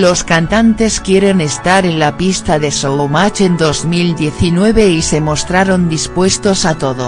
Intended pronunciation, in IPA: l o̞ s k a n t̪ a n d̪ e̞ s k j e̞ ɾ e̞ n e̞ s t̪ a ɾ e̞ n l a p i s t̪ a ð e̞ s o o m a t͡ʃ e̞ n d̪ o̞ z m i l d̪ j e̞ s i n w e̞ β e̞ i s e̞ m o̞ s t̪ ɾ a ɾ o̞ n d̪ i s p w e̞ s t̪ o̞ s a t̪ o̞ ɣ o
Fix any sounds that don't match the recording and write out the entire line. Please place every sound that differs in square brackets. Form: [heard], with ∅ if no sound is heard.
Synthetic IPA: l o̞ s k a n t̪ a n [t̪] e̞ s k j e̞ ɾ e̞ n e̞ s t̪ a ɾ e̞ n l a p i s t̪ a ð e̞ s o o m a t͡ʃ e̞ n d̪ o̞ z m i l d̪ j e̞ [θ] i n w e̞ β e̞ i s e̞ m o̞ s t̪ ɾ a ɾ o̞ n d̪ i s p w e̞ s t̪ o̞ s a t̪ o̞ [ð] o